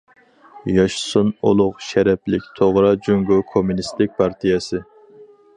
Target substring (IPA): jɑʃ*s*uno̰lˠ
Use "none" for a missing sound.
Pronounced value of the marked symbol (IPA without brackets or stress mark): s